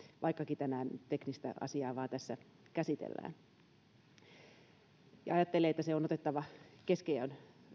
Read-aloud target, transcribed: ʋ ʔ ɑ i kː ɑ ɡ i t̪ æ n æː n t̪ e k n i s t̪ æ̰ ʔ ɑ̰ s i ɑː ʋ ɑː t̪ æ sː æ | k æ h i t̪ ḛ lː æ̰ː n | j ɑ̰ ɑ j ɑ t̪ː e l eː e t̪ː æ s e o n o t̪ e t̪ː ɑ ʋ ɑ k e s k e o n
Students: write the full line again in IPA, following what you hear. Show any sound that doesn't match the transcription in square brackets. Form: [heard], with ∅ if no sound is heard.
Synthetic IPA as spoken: ʋ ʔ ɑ i kː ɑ [k] i t̪ æ n æː n t̪ e k n i s t̪ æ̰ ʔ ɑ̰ s i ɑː ʋ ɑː t̪ æ sː æ | k æ [s] i t̪ ḛ lː æ̰ː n | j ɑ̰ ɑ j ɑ t̪ː e l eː e t̪ː æ s e o n o t̪ e t̪ː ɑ ʋ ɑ k e s k e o n